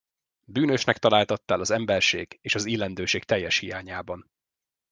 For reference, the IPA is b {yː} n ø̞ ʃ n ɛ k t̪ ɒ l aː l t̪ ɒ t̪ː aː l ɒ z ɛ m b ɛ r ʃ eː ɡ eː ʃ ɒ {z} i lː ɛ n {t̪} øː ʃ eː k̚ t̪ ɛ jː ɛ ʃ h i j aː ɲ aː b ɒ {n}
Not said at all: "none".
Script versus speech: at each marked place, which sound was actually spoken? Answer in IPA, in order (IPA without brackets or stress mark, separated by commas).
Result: yː, z, d̪, n